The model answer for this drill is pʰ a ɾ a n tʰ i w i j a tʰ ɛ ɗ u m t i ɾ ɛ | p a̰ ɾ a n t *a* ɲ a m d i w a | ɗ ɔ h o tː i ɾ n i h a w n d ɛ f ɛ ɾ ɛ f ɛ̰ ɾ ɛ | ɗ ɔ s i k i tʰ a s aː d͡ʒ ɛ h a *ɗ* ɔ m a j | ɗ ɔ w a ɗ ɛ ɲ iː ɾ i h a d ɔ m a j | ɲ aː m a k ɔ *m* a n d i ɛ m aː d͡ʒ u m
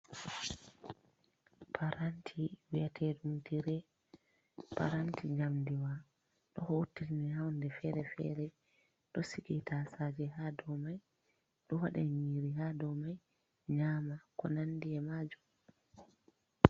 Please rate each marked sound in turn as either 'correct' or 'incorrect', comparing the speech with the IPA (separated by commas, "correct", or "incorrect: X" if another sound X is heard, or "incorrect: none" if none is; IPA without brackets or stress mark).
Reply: incorrect: i, incorrect: d, incorrect: n